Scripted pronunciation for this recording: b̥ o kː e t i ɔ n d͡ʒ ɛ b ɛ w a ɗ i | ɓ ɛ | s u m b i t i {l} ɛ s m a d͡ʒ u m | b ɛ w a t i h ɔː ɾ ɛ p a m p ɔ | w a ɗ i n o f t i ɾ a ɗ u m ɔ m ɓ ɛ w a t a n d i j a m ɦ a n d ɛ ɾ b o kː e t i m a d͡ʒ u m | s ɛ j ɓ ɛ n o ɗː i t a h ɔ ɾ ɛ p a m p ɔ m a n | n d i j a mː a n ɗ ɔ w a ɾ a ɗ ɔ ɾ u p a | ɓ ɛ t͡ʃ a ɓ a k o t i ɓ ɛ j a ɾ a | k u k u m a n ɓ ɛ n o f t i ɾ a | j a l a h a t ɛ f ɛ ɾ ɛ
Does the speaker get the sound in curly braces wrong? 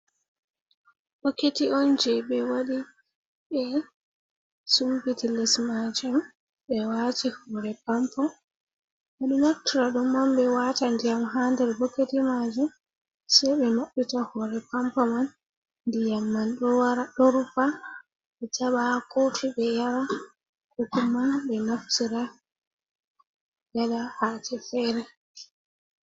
no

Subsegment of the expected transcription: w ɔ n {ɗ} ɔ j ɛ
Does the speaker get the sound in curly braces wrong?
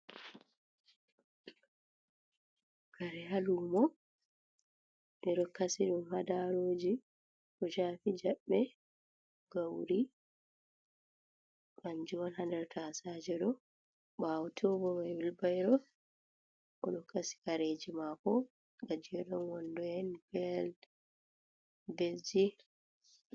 yes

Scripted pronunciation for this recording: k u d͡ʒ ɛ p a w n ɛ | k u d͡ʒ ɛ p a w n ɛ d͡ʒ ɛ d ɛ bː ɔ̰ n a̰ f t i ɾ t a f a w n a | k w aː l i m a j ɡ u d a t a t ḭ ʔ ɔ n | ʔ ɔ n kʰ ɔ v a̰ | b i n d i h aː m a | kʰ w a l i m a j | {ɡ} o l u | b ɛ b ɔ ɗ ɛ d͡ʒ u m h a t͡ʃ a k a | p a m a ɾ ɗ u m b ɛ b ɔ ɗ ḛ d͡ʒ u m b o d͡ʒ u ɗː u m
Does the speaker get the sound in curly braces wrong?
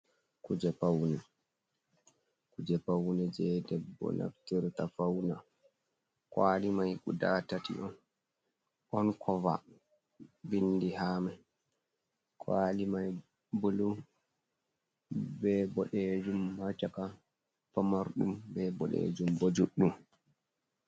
yes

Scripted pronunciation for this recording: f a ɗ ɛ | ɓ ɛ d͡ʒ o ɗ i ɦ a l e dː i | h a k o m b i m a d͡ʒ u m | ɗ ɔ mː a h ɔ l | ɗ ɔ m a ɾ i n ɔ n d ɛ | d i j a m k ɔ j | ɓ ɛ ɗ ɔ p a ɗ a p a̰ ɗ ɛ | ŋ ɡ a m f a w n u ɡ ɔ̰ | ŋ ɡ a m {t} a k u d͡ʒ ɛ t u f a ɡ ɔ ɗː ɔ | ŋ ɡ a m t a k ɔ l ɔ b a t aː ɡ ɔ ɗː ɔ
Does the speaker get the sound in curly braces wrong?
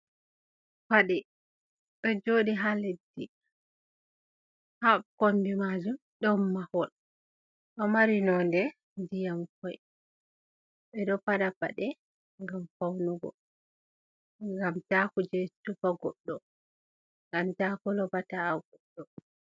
no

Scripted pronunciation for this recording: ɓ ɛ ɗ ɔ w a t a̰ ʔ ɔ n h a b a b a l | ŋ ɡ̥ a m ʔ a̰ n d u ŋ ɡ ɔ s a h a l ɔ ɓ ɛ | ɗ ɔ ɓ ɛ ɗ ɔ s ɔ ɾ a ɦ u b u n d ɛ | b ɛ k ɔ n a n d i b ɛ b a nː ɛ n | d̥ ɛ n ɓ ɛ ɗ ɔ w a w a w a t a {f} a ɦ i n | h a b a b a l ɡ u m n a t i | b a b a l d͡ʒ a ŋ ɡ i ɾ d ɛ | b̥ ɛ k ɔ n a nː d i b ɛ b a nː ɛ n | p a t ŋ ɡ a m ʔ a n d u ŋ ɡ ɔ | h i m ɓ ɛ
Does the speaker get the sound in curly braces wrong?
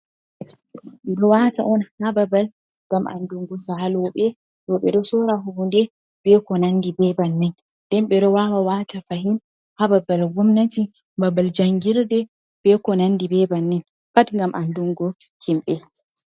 no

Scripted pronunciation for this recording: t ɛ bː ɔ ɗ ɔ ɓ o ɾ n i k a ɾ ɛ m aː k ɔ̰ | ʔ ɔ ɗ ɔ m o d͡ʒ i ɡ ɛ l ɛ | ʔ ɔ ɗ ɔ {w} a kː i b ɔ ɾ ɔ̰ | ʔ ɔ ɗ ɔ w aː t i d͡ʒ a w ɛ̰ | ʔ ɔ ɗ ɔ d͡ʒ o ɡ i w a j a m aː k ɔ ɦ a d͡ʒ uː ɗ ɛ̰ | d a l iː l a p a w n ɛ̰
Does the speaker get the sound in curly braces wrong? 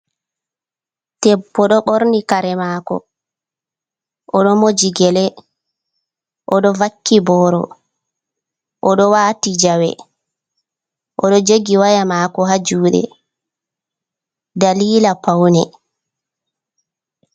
yes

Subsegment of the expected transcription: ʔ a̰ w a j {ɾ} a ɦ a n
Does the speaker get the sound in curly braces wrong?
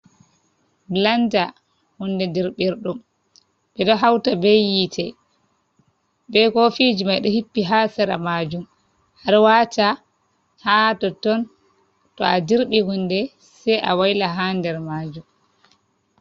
yes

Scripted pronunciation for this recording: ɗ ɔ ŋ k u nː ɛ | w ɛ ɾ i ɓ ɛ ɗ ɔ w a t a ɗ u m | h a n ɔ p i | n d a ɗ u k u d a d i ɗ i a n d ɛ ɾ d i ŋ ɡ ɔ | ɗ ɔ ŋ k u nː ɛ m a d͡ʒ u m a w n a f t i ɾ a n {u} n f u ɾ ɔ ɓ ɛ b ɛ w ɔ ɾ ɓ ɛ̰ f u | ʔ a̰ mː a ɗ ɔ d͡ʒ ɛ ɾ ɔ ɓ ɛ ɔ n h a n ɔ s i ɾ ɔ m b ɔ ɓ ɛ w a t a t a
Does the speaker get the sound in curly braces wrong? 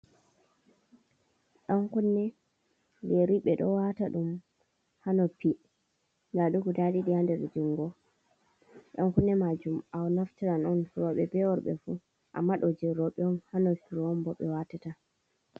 yes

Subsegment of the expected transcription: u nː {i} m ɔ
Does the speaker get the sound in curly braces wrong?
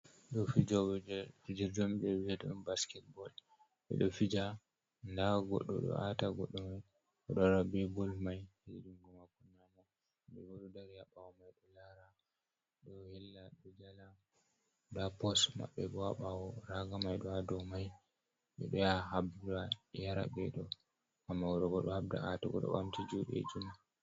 yes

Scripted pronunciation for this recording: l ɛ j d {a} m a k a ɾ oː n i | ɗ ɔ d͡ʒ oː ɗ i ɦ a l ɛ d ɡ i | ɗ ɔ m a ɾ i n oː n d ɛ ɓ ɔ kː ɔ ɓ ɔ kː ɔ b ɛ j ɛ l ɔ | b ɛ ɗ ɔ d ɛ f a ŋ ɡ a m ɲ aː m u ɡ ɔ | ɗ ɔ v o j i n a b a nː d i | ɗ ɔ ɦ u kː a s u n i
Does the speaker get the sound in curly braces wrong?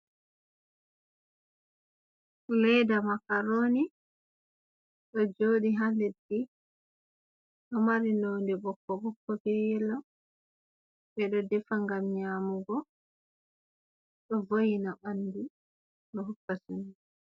no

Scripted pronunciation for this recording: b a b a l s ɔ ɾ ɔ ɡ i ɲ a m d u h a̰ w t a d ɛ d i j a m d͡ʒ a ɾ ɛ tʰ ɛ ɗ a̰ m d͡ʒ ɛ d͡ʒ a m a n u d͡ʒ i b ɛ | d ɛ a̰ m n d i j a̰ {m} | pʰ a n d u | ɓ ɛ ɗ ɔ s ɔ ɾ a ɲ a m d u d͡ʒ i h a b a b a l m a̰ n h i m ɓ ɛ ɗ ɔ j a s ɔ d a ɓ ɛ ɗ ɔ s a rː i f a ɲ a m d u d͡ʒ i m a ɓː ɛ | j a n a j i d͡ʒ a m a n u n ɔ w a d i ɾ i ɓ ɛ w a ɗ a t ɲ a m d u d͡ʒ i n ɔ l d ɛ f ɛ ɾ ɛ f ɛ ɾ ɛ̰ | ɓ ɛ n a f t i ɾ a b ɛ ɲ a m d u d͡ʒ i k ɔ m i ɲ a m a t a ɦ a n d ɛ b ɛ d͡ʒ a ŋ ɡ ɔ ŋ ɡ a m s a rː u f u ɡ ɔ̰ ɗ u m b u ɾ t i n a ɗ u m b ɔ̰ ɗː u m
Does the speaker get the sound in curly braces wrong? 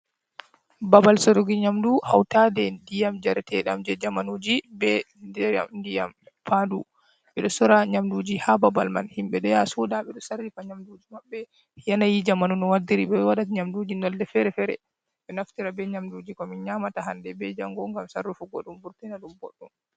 no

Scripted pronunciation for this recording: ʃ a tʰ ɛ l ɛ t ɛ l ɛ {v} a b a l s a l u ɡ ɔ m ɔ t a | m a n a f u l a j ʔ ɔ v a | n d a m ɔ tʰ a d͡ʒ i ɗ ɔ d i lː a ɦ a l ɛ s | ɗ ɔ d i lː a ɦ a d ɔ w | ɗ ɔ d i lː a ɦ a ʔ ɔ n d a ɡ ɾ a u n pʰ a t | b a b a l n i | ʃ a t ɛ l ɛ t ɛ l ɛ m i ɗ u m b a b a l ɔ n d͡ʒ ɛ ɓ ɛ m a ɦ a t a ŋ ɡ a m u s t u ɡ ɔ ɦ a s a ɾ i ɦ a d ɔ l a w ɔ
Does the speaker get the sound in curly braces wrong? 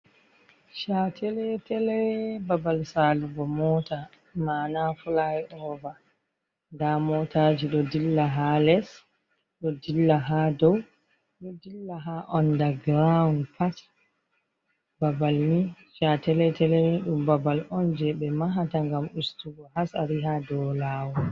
yes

